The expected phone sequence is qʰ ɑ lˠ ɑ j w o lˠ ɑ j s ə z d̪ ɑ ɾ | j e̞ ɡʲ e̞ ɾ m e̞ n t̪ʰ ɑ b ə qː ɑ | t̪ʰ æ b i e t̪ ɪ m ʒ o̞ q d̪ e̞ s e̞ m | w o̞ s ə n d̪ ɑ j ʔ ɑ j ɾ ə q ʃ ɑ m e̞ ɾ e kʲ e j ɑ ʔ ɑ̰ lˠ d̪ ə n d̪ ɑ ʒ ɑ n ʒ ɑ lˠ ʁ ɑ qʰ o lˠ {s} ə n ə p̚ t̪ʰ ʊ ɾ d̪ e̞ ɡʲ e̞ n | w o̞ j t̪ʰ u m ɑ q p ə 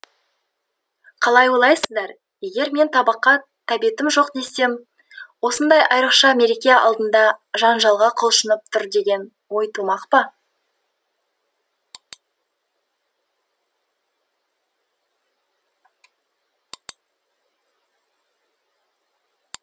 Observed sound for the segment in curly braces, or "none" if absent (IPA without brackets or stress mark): ʃ